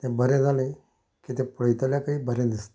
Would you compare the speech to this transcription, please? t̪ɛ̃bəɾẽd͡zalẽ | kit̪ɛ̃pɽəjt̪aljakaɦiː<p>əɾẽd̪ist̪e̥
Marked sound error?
yes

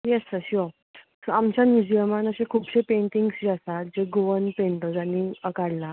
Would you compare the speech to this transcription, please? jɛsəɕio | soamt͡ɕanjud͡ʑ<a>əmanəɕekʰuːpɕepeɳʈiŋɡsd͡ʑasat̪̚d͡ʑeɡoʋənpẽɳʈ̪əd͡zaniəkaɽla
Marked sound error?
yes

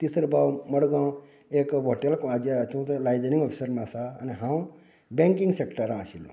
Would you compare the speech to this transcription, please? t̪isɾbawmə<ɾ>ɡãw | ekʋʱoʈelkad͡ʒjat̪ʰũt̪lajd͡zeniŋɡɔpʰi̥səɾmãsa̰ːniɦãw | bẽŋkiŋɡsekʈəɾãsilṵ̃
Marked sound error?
yes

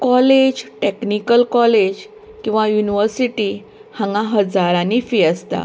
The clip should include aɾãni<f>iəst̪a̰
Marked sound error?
no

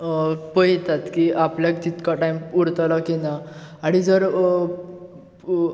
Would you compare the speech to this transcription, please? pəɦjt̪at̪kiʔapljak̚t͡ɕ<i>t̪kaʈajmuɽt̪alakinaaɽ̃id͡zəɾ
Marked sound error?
no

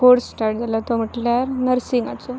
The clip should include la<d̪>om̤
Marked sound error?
yes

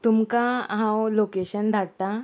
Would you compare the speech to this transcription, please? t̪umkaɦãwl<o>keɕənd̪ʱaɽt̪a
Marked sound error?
no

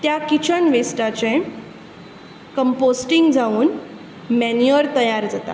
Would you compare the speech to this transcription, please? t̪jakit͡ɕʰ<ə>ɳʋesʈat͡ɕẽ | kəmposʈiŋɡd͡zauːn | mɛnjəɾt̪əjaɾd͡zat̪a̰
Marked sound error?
no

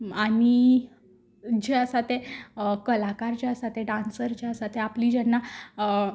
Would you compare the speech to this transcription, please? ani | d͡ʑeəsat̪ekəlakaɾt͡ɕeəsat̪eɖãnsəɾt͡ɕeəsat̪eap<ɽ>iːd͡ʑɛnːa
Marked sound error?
yes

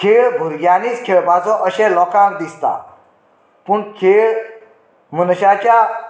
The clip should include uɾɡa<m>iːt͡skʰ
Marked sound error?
yes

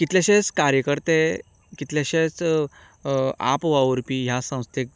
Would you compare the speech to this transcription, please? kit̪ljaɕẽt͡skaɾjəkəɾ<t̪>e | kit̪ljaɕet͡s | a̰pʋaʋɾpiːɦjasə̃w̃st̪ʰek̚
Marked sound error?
no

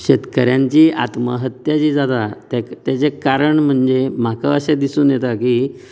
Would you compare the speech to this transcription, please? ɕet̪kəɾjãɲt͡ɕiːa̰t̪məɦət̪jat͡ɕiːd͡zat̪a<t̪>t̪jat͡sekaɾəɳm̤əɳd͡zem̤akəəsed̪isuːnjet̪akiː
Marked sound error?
no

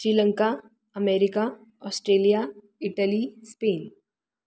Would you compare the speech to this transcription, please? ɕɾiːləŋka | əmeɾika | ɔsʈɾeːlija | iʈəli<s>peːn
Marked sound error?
no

